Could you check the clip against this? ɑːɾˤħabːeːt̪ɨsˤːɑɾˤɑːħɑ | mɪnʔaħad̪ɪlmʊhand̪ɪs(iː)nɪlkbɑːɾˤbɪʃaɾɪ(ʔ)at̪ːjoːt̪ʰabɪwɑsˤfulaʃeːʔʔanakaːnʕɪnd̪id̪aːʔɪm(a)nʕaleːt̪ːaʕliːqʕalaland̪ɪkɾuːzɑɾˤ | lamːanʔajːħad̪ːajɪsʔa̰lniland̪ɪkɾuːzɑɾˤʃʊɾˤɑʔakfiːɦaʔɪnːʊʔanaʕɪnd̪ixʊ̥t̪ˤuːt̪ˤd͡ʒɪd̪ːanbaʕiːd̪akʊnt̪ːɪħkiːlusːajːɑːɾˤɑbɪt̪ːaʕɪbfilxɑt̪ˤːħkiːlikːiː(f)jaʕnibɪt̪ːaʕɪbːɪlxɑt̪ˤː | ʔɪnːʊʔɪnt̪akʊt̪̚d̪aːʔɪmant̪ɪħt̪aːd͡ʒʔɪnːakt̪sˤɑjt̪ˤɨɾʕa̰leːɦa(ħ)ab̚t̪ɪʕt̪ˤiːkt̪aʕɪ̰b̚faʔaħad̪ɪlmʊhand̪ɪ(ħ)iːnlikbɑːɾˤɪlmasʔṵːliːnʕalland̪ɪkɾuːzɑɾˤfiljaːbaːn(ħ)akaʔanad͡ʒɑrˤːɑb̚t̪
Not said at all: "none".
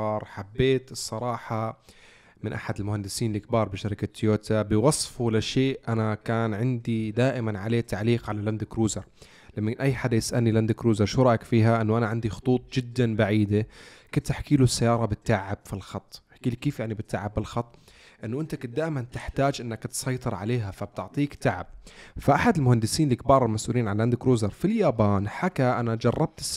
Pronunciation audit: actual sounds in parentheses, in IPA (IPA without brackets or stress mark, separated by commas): iː, k, a, f, f, s, ħ